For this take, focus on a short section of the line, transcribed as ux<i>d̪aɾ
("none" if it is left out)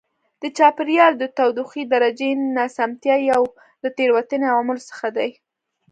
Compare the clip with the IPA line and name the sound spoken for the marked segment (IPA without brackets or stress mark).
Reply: i